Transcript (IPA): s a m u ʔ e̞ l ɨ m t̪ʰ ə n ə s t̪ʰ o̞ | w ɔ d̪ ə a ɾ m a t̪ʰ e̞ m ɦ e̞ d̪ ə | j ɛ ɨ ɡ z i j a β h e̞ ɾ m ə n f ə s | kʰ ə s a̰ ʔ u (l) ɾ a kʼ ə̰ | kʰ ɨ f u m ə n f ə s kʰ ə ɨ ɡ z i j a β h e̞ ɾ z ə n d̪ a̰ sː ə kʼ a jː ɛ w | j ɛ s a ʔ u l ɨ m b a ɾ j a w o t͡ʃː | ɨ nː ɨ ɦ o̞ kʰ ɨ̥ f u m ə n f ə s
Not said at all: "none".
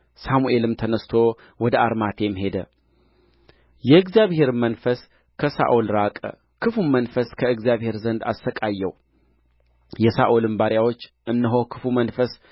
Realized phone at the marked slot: l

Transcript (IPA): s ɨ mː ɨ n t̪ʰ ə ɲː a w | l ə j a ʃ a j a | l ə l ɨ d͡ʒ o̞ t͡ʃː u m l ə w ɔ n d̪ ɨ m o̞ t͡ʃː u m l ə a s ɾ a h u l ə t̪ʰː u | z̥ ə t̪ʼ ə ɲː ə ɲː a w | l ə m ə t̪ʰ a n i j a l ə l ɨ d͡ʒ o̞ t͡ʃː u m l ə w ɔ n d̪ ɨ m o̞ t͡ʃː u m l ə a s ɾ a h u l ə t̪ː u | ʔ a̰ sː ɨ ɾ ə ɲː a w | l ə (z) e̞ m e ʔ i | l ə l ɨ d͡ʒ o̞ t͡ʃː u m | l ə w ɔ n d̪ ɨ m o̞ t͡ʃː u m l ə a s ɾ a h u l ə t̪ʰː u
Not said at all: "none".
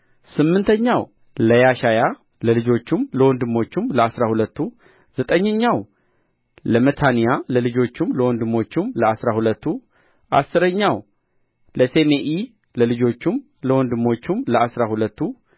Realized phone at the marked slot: s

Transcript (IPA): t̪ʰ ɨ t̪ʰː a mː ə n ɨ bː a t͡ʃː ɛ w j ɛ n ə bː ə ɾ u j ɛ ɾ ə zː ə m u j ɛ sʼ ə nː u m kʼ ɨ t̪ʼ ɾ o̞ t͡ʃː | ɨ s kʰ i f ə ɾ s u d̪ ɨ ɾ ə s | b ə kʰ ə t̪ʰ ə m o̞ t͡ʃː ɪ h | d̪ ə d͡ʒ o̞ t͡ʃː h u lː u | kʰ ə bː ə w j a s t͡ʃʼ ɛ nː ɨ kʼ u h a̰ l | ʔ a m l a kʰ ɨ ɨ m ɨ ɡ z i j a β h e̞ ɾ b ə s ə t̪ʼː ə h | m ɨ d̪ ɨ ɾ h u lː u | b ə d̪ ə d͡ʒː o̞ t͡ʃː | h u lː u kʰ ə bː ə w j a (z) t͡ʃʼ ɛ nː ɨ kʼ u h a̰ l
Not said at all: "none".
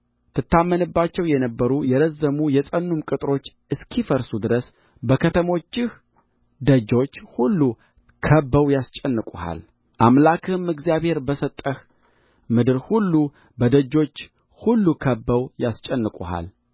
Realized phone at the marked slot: s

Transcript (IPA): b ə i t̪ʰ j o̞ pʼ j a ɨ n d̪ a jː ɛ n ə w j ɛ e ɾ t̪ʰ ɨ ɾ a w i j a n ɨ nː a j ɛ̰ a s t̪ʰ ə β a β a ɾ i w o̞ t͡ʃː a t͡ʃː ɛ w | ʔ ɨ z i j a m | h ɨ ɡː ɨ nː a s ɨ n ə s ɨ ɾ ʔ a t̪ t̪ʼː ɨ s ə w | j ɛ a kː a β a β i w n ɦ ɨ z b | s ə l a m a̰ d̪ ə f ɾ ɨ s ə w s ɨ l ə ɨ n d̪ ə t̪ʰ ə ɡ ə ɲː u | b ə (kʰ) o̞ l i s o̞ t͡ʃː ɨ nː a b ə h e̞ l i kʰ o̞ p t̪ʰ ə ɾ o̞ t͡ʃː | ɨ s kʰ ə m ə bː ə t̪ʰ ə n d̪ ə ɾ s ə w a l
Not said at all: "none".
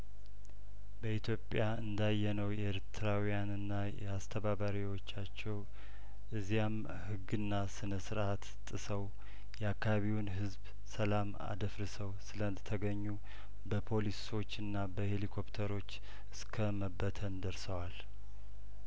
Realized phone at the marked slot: pʰ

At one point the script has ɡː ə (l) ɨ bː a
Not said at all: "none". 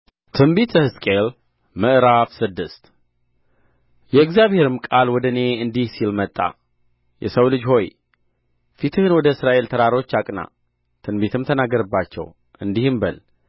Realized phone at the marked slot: ɾ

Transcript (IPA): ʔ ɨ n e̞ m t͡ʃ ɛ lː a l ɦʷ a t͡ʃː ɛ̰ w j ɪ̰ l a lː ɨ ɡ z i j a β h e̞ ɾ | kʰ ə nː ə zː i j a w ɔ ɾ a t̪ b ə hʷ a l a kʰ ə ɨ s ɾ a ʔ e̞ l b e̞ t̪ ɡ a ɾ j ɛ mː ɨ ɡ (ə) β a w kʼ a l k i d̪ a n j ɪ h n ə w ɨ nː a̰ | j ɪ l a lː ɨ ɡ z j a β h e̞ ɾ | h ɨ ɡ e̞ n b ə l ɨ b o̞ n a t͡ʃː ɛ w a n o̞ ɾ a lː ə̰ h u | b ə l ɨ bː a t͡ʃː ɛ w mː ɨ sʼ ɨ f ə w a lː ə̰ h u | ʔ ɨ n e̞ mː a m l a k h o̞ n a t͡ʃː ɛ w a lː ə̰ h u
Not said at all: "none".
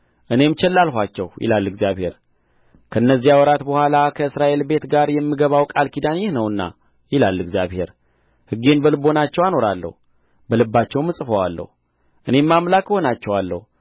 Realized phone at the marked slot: ə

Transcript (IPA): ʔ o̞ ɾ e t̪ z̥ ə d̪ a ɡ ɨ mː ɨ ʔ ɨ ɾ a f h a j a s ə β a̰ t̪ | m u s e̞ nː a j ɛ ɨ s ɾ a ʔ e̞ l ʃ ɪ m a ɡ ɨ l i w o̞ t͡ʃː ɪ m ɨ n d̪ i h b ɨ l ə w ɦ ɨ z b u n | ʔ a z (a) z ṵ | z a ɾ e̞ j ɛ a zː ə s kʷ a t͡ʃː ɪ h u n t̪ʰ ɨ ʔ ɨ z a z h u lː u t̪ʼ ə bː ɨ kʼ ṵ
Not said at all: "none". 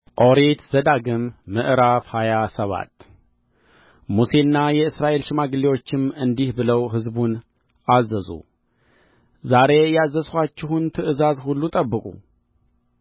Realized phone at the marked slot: ə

